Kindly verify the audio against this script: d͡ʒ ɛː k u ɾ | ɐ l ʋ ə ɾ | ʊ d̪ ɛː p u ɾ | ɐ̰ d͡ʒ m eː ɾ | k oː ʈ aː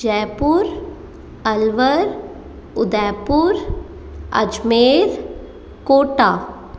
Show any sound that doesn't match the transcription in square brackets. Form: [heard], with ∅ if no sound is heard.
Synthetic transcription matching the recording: d͡ʒ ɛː [p] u ɾ | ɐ l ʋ ə ɾ | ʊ d̪ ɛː p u ɾ | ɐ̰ d͡ʒ m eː ɾ | k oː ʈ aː